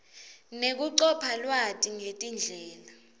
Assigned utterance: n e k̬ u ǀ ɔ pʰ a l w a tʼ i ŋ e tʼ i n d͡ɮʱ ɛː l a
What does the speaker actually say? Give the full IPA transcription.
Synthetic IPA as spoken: n e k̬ u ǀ ɔ pʰ a l w a tʼ i ŋ e tʼ i n d͡ɮʱ ɛː l a